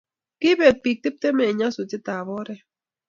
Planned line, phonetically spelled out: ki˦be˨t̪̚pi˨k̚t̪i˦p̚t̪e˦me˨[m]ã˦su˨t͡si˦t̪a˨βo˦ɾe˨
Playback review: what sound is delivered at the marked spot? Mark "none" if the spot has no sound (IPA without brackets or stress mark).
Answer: ɲ